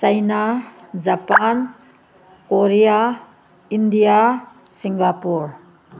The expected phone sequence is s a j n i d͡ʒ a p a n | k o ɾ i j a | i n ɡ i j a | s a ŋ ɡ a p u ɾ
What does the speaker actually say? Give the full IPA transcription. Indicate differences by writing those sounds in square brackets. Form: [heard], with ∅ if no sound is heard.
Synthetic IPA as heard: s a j n [a] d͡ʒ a p a n | k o ɾ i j a | i n [d] i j a | s [i] ŋ ɡ a p u ɾ